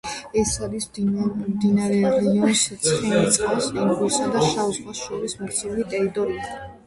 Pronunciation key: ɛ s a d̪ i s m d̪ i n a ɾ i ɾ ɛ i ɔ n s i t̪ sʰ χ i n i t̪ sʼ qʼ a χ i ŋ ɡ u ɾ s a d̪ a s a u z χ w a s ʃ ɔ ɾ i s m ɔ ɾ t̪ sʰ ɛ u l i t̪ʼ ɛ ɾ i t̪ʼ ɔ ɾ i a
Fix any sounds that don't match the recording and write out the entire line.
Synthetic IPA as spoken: ɛ s a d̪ i s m d̪ i n a ɾ ɛ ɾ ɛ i ɔ n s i t̪ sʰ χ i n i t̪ sʼ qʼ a s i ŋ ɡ u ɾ s a d̪ a ʃ a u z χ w a s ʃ ɔ ɾ i s m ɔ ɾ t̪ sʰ ɛ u l i t̪ʼ ɛ ɾ i t̪ʼ ɔ ɾ i a